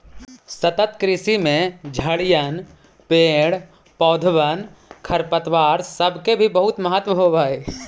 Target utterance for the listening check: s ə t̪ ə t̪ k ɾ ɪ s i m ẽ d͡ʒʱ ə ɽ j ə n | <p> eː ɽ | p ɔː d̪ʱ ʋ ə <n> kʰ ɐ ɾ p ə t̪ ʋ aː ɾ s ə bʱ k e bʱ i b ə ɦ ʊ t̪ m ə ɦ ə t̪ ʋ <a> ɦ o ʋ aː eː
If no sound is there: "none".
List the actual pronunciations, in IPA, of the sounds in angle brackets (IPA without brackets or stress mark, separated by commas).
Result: p, n, ə